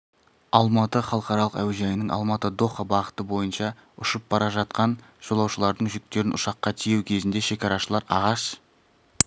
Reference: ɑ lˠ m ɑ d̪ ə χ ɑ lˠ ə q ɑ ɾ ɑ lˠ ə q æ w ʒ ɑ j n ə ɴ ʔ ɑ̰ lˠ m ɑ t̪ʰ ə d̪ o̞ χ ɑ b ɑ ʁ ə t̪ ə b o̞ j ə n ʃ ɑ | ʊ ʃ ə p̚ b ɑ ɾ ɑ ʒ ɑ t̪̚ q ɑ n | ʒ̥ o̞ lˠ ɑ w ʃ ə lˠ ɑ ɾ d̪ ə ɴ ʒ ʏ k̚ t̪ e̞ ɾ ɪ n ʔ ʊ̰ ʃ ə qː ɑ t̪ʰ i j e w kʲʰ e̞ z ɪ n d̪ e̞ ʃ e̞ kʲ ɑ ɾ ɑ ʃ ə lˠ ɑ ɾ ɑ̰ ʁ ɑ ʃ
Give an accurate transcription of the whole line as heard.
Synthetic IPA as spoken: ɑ lˠ m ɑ t̪ ə χ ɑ lˠ ə q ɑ ɾ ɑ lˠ ə q æ w ʒ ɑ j n ə ɴ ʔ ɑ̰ lˠ m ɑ t̪ ə d̪ o̞ χ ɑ b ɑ ʁ ə t̪ ə b o̞ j ə n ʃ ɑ | ʊ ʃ ə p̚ b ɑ ɾ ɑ ʒ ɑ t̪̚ q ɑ n | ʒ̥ o̞ lˠ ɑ w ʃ ə lˠ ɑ ɾ d̪ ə ɴ ʒ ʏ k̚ t̪ e̞ ɾ ɪ n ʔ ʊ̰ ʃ ɑ qː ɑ t̪ʰ i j e w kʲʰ e̞ z ɪ n d̪ e̞ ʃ e̞ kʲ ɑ ɾ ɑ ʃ ə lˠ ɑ ɾ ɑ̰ ʁ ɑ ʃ